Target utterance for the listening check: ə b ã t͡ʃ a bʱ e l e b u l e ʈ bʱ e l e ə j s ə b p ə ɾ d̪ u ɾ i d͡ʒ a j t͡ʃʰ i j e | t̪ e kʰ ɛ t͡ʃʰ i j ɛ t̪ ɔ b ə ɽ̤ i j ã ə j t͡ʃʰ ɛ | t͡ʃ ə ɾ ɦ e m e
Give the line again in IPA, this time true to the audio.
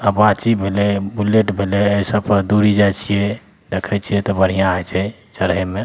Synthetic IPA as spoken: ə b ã t͡ʃ i bʱ e l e b u l e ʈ bʱ e l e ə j s ə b p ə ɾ d̪ u ɾ i d͡ʒ a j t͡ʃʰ i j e | d̪ e kʰ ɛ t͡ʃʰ i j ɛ t̪ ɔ b ə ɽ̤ i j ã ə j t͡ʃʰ ɛ | t͡ʃ ə ɾ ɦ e m e